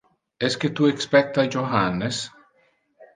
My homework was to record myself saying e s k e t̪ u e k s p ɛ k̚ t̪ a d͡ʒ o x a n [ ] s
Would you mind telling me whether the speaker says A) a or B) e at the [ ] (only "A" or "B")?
B